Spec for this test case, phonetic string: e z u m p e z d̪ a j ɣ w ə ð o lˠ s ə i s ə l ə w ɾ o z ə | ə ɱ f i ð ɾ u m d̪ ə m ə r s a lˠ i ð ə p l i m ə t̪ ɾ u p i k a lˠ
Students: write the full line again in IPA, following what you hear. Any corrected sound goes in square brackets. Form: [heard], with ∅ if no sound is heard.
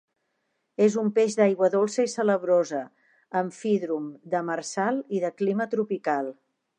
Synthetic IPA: e z u m p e [ʒ] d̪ a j ɣ w ə ð o lˠ s ə i s ə l ə [β] ɾ o z ə | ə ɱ f i ð ɾ u m d̪ ə m ə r s a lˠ i ð ə [k] l i m ə t̪ ɾ u p i k a lˠ